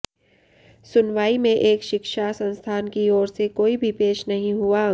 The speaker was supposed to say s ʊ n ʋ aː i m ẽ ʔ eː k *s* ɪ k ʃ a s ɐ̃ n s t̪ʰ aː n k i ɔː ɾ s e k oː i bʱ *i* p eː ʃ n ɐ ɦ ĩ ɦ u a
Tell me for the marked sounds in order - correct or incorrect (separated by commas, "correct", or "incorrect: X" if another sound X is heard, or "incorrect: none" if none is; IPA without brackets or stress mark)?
incorrect: ʃ, correct